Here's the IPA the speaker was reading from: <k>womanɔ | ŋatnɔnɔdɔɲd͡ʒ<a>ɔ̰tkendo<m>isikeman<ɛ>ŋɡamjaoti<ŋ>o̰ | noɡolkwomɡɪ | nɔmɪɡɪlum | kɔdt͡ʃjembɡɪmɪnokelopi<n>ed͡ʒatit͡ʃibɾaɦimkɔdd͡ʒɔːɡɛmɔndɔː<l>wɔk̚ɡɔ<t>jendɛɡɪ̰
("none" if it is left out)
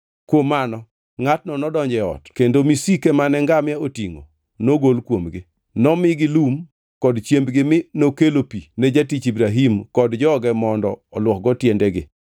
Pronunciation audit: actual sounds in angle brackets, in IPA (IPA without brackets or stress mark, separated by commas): k, ɛ, m, ɛ, ŋ, n, l, t